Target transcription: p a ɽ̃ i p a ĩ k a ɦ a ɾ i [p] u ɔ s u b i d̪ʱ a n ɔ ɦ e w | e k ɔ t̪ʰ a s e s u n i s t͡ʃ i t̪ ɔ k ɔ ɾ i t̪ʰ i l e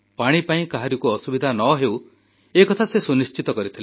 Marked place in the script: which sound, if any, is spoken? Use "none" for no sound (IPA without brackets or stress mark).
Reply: k